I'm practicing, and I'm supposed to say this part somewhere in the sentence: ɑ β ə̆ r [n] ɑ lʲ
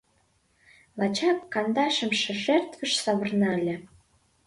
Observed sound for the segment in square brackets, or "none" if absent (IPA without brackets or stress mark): n